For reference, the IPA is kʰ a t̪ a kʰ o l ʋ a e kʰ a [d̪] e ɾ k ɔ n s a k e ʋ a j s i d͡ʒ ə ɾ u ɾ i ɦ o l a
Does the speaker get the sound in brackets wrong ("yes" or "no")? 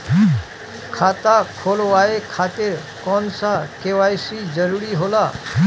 yes